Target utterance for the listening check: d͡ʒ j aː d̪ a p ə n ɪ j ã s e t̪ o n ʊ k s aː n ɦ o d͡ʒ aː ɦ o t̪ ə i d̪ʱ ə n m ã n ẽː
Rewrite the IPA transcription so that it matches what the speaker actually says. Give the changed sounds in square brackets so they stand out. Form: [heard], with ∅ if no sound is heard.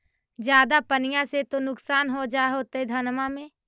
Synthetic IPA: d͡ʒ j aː d̪ a p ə n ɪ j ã s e t̪ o n ʊ k s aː n ɦ o d͡ʒ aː ɦ o t̪ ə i d̪ʱ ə n m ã [m] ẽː